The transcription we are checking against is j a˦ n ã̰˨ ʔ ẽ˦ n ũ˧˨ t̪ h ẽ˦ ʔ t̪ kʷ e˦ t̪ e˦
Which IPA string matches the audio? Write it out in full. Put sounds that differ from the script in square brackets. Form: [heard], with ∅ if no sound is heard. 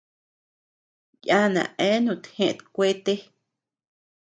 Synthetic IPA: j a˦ n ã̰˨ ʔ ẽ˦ n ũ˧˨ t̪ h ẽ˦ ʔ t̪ kʷ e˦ t̪ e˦